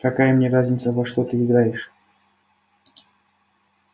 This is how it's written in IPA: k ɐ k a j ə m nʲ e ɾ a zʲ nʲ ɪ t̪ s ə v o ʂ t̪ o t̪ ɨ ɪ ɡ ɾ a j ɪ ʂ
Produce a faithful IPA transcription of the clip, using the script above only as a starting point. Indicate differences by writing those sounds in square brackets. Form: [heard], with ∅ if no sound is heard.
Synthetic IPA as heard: k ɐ k a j ə m nʲ e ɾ a zʲ nʲ ɪ t̪ s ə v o ʂ t̪ o t̪ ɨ ɪ ɡ ɾ a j ɪ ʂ

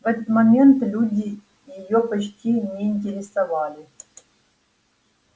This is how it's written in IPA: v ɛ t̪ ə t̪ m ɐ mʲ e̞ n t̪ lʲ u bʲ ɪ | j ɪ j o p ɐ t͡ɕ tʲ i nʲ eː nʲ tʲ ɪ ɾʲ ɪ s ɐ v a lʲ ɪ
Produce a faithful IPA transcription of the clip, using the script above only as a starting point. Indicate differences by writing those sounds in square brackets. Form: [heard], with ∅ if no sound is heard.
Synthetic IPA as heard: v ɛ t̪ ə t̪ m ɐ mʲ e̞ n t̪ lʲ u [dʲ] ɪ | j ɪ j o p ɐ t͡ɕ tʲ i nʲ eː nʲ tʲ ɪ ɾʲ ɪ s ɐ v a lʲ ɪ

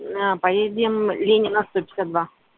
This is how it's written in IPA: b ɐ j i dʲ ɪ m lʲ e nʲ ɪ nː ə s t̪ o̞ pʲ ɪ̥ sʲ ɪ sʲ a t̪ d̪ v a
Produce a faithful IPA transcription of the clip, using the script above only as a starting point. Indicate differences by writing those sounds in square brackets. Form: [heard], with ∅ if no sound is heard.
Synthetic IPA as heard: [p] ɐ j [e] dʲ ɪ m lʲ e nʲ ɪ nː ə s t̪ o̞ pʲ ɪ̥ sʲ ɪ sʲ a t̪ d̪ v a

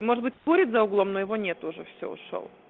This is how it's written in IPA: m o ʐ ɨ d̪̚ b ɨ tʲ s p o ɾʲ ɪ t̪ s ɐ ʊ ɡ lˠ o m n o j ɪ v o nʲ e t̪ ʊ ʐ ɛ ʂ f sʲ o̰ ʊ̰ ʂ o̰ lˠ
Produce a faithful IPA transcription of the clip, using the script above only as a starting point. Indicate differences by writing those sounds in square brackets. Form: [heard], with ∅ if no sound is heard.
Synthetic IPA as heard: m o ʐ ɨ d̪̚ b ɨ tʲ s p o ɾʲ ɪ t̪ [z] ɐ ʊ ɡ lˠ o m n o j ɪ v o nʲ e t̪ ʊ ʐ ɛ [∅] f sʲ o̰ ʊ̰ ʂ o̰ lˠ

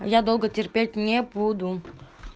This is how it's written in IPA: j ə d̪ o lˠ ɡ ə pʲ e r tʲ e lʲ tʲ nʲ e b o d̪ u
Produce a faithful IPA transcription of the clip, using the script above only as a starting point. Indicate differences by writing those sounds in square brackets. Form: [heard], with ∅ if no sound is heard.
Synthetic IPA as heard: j [a] d̪ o lˠ ɡ ə [tʲ] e r [pʲ] e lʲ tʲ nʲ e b [u] d̪ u

